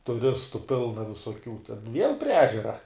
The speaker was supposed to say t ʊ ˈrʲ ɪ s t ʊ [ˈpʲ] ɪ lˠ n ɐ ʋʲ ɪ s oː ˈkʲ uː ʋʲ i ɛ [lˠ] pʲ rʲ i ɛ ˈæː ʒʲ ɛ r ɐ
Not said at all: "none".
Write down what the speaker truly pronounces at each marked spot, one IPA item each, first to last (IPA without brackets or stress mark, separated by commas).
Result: pʲ, lˠ